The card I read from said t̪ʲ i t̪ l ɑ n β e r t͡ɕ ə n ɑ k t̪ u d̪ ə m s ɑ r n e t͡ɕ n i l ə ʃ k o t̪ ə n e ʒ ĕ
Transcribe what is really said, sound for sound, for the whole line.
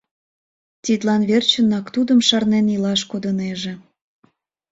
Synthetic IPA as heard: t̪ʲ i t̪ l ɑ n β e r t͡ɕ ə n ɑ k t̪ u d̪ ə m ʃ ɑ r n e n i l ɑ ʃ k o d̪ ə n e ʒ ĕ